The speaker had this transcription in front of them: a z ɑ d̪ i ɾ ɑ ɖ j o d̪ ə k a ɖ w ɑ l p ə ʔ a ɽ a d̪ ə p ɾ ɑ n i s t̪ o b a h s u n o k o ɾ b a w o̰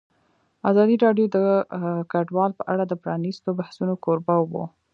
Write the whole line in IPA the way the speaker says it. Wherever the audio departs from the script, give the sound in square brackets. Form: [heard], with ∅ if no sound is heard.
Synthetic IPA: a z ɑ d̪ i ɾ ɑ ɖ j o d̪ ə k a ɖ w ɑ l p ə ʔ a ɽ a d̪ ə p ɾ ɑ n i s t̪ o b a h s u n o k o ɾ b a w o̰